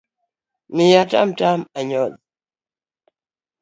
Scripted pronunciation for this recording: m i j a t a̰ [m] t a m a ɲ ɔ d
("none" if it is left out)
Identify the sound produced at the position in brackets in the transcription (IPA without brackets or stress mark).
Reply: m